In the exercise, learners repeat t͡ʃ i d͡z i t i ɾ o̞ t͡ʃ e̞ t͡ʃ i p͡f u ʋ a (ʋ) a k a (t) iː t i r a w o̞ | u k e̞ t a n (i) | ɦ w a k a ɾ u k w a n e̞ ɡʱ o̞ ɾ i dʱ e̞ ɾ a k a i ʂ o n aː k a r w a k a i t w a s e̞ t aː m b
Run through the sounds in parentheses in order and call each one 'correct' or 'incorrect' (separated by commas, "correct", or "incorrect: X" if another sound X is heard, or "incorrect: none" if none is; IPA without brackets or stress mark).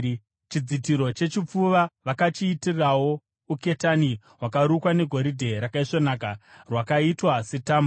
correct, incorrect: t͡ʃ, correct